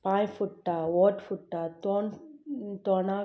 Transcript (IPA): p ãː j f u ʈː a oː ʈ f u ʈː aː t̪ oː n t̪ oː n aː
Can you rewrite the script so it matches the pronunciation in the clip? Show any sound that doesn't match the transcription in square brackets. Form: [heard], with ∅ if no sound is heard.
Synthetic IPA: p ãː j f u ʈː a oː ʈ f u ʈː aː t̪ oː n t̪ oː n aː